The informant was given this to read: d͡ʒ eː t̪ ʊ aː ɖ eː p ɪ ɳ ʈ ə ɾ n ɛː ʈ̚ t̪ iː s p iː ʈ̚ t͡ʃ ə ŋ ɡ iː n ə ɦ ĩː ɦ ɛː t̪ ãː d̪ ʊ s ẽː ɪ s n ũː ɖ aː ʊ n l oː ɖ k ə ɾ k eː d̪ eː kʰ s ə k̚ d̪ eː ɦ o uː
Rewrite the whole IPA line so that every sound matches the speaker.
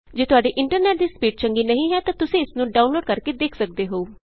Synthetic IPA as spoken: d͡ʒ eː t̪ ʊ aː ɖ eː ʔ ɪ ɳ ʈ ə ɾ n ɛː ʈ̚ d̪ iː s p iː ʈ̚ t͡ʃ ə ŋ ɡ iː n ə ɦ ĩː ɦ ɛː t̪ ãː t̪ ʊ s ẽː ɪ s n ũː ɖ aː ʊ n l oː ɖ k ə ɾ k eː d̪ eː kʰ s ə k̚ d̪ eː ɦ o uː